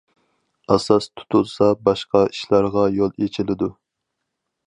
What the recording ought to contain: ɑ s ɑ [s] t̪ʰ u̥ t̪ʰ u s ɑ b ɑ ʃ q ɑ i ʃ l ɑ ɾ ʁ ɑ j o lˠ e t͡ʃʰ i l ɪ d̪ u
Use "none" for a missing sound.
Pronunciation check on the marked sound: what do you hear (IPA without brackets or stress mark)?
s